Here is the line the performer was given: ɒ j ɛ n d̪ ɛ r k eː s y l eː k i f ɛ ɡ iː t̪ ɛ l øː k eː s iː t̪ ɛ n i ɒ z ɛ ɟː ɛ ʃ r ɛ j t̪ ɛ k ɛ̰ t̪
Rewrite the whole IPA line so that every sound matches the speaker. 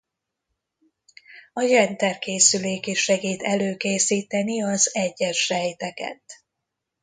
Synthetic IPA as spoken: ɒ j ɛ n t̪ ɛ r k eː s y l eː k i ʃ ɛ ɡ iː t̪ ɛ l øː k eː s iː t̪ ɛ n i ɒ z ɛ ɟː ɛ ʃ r ɛ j t̪ ɛ k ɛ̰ t̪